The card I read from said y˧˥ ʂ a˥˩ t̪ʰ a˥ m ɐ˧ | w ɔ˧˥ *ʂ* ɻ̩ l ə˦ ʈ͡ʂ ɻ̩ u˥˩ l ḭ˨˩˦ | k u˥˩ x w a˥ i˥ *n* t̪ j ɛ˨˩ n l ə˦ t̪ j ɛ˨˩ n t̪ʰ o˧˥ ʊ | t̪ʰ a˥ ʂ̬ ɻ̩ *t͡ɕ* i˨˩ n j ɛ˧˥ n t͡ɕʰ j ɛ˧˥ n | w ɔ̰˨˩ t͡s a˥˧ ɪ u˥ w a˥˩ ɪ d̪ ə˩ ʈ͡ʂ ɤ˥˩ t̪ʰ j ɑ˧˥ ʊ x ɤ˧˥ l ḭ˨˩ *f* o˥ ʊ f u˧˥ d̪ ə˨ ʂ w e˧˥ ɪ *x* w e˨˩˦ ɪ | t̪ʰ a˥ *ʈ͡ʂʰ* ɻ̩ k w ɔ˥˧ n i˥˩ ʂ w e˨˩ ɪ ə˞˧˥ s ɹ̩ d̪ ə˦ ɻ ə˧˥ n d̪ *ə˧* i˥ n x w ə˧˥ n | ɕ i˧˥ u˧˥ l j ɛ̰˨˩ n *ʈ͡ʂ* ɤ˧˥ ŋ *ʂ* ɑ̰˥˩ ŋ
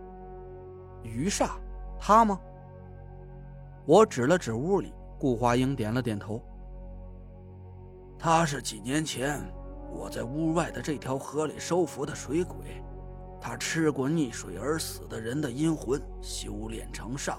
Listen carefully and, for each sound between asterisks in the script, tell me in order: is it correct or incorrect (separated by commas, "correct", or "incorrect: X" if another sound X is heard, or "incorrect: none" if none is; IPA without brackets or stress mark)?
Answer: incorrect: ʈ͡ʂ, incorrect: ŋ, correct, incorrect: ʂ, incorrect: k, correct, correct, incorrect: ʈ͡ʂʰ, correct